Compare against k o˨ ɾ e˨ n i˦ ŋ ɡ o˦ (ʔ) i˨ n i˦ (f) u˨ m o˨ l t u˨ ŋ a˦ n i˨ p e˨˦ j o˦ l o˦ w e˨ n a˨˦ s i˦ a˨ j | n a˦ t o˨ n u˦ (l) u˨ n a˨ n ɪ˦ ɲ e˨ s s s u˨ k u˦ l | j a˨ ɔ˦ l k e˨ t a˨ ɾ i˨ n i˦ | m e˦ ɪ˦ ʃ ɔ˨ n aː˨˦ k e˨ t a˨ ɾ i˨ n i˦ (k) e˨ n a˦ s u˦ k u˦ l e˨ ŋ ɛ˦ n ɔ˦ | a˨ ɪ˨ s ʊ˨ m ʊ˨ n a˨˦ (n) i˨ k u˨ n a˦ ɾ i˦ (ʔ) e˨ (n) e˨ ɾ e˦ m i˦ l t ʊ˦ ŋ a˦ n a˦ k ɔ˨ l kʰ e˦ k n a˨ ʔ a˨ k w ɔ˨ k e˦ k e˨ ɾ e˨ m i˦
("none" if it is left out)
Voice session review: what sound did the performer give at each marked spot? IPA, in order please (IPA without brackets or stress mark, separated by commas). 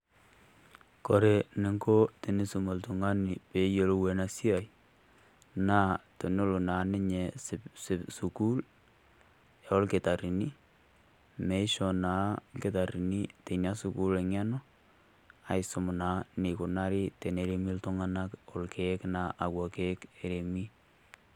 t, s, l, t, n, t, n